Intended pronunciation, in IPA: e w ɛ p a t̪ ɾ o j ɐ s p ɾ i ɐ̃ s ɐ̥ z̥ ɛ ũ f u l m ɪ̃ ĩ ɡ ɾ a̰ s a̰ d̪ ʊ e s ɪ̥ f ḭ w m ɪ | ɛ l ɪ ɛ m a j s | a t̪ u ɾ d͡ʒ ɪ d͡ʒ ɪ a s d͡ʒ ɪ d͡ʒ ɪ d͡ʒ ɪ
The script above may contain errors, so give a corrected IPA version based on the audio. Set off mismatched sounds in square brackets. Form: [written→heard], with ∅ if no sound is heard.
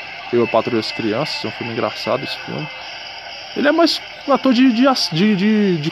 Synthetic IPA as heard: e w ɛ p a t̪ ɾ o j ɐ s [p→k] ɾ i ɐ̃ s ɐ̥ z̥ ɛ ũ f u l m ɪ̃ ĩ ɡ ɾ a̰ s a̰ d̪ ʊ e s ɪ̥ f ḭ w m ɪ | [ɛ→e] l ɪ ɛ m a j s | a t̪ [u→o] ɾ d͡ʒ ɪ d͡ʒ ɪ a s d͡ʒ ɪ d͡ʒ ɪ d͡ʒ ɪ